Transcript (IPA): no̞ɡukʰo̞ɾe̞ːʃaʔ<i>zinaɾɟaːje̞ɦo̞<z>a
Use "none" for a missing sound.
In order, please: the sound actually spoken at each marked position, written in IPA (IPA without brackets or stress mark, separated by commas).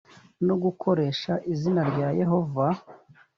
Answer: i, v